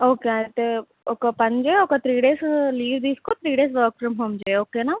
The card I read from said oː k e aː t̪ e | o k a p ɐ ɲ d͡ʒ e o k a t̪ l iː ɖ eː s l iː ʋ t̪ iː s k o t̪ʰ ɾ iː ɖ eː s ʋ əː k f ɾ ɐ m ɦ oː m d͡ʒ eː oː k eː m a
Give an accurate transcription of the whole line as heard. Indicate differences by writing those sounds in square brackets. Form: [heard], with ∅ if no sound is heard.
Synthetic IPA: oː k e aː t̪ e | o k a p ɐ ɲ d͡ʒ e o k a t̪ [ɾ] iː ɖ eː s l iː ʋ [d̪] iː s k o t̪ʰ ɾ iː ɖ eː s ʋ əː k f ɾ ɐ m ɦ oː m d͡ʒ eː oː k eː [n] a